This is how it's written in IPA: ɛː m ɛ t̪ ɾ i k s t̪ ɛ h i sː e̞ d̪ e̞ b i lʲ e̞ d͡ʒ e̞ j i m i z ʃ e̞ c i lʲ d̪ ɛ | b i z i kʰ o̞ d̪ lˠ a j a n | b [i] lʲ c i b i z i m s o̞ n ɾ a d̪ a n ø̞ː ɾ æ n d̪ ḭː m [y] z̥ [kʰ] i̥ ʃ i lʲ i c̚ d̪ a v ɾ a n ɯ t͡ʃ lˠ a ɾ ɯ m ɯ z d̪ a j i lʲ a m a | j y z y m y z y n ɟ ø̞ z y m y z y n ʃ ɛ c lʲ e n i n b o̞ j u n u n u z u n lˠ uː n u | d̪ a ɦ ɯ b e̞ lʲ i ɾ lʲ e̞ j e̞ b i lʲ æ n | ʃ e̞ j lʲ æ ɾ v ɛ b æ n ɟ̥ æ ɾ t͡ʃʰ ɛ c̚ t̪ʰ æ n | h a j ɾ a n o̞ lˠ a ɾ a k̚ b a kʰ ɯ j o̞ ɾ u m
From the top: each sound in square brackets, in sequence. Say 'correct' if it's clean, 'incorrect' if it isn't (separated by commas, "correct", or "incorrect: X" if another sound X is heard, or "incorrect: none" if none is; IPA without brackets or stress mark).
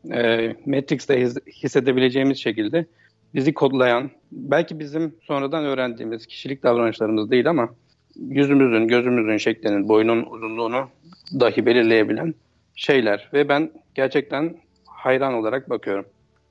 incorrect: æ, incorrect: i, incorrect: cʰ